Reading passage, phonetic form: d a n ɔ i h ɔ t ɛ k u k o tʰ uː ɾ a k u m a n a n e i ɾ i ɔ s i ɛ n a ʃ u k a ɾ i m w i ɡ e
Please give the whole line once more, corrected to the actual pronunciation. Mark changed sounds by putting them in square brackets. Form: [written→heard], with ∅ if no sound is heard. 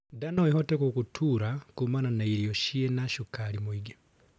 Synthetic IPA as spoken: d a n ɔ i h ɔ t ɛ k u k [o→u] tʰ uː ɾ a k u m a n a n [e→a] i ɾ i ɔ [s→ʃ] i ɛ n a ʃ u k a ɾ i m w i ɡ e